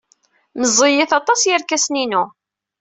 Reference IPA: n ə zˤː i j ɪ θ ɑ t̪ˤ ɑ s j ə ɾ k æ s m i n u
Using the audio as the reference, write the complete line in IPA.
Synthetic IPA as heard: m ə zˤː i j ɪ θ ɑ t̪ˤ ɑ s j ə ɾ k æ s n i n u